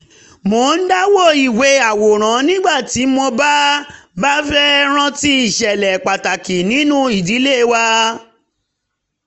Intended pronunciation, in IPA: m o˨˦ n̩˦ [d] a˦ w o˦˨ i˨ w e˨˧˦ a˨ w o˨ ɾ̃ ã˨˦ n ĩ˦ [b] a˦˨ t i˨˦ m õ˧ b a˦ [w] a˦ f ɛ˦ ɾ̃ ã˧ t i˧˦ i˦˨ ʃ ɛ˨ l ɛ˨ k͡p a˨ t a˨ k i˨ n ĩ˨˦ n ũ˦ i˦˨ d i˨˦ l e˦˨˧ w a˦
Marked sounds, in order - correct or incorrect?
correct, incorrect: ɡ͡b, incorrect: b

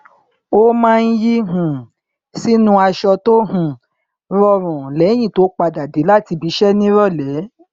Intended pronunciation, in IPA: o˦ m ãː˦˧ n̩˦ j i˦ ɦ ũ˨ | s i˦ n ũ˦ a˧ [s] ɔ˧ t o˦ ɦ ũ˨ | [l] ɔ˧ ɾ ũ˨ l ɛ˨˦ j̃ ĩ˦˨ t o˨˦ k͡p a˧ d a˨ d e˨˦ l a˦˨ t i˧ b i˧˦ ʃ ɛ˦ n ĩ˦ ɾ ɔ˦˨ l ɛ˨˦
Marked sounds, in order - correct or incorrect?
incorrect: ʃ, incorrect: ɾ

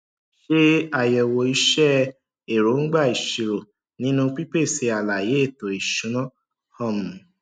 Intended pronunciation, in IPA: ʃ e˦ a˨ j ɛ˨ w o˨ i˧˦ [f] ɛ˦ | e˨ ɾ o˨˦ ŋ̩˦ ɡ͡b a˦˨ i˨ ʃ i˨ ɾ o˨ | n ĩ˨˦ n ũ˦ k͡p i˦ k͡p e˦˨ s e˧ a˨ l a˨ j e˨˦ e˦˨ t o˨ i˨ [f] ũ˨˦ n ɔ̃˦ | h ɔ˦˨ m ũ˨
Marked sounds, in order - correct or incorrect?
incorrect: ʃ, incorrect: ʃ

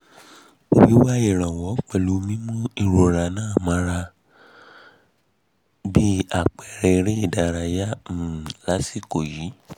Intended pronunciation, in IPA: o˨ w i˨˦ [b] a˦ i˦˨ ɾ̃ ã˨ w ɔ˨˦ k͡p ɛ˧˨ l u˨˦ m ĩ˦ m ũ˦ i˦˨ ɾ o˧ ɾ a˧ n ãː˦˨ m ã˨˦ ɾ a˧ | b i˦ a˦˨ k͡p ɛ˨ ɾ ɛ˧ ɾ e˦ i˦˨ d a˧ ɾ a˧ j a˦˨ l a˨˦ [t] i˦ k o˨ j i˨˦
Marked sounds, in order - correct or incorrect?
incorrect: w, incorrect: s

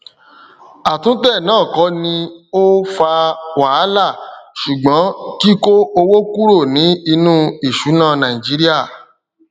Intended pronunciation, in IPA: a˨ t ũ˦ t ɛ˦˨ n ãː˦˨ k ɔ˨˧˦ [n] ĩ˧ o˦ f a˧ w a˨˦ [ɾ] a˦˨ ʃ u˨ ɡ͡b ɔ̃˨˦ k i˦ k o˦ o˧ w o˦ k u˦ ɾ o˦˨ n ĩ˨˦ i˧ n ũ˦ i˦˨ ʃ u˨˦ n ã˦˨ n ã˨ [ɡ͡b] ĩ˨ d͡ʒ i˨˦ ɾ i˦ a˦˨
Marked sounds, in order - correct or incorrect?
correct, incorrect: l, incorrect: none

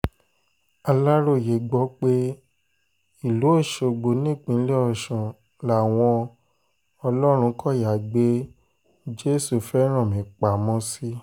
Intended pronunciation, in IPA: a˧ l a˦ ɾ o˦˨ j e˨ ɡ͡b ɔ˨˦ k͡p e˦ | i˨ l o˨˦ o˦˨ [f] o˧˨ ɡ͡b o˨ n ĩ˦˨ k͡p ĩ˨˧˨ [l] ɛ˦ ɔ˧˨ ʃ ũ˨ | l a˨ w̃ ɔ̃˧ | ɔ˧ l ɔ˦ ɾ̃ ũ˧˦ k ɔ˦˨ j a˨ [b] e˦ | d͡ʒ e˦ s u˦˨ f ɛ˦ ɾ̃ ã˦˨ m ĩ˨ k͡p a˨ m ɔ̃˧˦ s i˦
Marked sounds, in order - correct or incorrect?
incorrect: ʃ, correct, incorrect: ɡ͡b

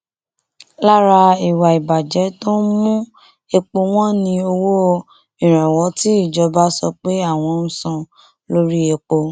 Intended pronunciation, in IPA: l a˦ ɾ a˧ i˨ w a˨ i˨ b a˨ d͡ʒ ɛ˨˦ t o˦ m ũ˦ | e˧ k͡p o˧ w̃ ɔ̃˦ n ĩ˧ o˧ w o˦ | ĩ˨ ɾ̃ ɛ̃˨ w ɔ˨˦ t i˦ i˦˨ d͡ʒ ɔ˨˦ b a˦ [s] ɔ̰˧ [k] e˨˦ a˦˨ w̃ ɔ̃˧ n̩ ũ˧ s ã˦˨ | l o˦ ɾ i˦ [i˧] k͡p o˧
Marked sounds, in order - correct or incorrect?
correct, incorrect: k͡p, incorrect: e˧

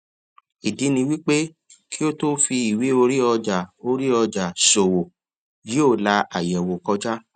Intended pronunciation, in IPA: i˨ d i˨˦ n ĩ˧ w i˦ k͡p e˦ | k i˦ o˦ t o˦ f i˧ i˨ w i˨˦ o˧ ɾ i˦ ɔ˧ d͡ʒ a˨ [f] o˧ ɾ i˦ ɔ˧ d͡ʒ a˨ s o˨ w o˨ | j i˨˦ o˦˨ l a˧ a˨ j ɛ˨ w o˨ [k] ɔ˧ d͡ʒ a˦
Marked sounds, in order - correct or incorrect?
incorrect: none, correct

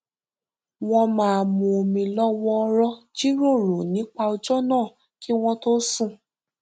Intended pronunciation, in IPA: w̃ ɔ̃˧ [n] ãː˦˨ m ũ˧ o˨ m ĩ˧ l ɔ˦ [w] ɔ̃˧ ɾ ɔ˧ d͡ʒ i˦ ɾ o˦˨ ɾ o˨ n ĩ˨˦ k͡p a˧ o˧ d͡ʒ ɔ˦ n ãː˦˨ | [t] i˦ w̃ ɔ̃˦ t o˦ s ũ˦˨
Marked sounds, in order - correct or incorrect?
incorrect: m, correct, incorrect: k

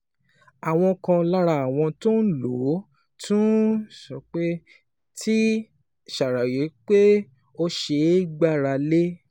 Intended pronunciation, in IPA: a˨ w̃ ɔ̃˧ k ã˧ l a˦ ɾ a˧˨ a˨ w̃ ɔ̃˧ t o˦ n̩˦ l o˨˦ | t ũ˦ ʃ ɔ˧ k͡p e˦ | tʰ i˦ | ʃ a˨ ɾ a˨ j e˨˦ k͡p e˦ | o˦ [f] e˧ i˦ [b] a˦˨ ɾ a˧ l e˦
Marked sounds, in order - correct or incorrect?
incorrect: ʃ, incorrect: ɡ͡b

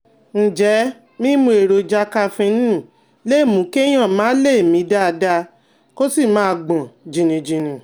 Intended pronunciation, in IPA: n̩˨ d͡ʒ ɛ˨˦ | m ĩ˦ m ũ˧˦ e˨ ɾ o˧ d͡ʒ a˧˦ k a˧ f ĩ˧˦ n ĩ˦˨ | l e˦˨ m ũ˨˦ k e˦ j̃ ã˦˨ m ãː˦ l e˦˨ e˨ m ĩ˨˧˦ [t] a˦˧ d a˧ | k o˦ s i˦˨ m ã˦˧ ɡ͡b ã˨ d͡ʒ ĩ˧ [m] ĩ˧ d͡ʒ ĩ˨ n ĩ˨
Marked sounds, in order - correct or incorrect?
incorrect: d, incorrect: n

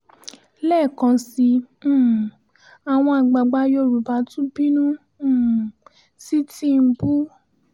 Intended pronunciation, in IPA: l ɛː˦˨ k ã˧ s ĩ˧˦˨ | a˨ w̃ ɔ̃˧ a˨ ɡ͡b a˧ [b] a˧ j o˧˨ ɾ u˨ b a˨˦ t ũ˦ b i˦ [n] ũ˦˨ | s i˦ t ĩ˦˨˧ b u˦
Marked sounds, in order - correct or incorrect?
incorrect: ɡ͡b, correct

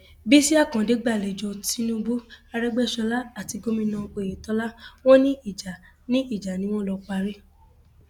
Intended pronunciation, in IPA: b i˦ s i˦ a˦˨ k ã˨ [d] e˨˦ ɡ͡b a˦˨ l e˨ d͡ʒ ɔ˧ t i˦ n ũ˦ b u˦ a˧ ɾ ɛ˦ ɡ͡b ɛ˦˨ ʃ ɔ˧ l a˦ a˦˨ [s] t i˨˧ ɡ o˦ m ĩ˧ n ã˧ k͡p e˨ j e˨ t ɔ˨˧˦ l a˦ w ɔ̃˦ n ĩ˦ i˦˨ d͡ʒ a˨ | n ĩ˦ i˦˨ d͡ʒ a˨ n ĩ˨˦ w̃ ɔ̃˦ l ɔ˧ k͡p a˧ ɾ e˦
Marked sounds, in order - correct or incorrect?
correct, incorrect: none

